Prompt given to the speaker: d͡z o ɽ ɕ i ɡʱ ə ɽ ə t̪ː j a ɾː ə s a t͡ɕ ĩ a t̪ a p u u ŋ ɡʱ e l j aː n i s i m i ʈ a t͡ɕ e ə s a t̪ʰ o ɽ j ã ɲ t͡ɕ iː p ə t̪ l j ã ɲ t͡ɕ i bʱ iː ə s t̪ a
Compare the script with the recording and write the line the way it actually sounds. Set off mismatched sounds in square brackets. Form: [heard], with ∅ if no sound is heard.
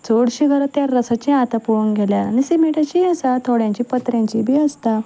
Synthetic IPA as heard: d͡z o ɽ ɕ i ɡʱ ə [ɾ] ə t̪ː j a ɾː ə s a t͡ɕ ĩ a t̪ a p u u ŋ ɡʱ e l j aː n i s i m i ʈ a t͡ɕ [i] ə s a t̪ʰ o ɽ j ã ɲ t͡ɕ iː p ə t̪ [ɾ] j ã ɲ t͡ɕ i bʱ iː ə s t̪ a